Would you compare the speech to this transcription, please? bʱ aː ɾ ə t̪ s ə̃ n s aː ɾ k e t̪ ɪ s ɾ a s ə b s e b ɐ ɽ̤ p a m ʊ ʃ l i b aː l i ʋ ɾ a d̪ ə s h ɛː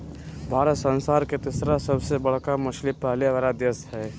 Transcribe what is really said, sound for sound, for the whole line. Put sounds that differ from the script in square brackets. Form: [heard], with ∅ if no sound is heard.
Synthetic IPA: bʱ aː ɾ ə t̪ s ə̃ n s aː ɾ k e t̪ ɪ s ɾ a s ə b s e b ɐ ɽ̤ [k] a m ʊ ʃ l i [p] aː l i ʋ ɾ a d̪ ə s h ɛː

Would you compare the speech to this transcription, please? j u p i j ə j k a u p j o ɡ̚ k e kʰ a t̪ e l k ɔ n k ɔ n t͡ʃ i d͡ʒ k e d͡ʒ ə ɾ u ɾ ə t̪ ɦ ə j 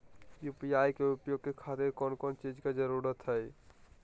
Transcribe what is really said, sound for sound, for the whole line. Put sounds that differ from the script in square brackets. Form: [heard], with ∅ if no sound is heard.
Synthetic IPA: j u p i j [a] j k [e] u p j o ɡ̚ k e kʰ a t̪ e [ɾ] k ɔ n k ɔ n t͡ʃ i d͡ʒ k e d͡ʒ ə ɾ u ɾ ə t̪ ɦ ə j

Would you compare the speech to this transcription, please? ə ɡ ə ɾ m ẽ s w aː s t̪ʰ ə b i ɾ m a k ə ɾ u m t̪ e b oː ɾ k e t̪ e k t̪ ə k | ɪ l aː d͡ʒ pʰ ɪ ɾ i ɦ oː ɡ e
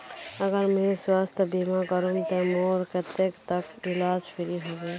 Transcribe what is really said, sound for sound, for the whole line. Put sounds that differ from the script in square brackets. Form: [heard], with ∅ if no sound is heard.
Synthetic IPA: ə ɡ ə ɾ m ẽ s w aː s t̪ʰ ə b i [∅] m a k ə ɾ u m t̪ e [m] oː ɾ k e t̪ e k t̪ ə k | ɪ l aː d͡ʒ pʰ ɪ ɾ i ɦ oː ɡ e

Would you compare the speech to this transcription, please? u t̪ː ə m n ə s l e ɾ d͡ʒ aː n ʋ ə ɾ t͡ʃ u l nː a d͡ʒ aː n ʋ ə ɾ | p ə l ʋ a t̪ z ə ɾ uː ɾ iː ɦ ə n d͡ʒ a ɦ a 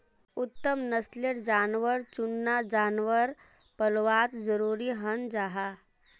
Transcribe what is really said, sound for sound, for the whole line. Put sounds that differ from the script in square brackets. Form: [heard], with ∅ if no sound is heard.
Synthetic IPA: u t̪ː ə m n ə s l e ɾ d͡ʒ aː n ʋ ə ɾ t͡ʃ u [∅] nː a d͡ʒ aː n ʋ ə ɾ | p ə l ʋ a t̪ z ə ɾ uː ɾ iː ɦ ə n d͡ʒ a ɦ a

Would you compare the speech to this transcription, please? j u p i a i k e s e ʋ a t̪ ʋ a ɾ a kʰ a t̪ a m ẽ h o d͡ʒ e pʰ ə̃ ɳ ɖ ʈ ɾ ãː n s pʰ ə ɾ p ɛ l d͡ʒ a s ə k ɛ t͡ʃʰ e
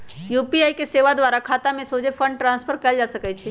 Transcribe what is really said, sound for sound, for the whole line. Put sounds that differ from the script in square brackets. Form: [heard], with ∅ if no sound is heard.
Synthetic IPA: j u p i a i k e s e ʋ a [d̪] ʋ a ɾ a kʰ a t̪ a m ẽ [s] o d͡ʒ e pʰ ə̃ ɳ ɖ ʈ ɾ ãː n s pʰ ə ɾ [k] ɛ l d͡ʒ a s ə k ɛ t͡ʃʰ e

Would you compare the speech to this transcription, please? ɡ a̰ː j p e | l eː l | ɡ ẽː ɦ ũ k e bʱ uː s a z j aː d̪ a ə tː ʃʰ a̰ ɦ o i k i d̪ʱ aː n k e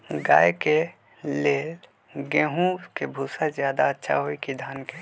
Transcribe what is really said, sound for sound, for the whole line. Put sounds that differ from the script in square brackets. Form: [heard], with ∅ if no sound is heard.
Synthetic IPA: ɡ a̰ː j [k] e | l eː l | ɡ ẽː ɦ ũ k e bʱ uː s a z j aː d̪ a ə tː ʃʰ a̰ ɦ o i k i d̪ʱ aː n k e

